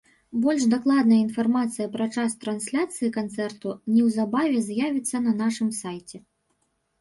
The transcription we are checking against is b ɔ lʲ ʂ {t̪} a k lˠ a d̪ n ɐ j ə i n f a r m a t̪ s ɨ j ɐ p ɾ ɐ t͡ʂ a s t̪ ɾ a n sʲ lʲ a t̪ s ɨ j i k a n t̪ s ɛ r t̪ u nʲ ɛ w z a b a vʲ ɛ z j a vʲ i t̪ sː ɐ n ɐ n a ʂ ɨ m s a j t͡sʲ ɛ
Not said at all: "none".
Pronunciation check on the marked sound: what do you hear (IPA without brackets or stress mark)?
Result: d̪